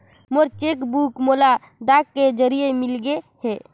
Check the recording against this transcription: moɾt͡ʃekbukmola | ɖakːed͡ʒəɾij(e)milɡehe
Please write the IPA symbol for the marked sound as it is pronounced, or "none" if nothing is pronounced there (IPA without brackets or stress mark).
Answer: e